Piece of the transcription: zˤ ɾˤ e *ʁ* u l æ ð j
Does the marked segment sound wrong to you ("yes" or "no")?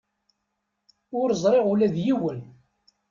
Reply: no